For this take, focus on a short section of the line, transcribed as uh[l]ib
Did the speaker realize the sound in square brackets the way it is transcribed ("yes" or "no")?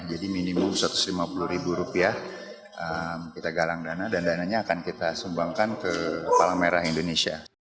no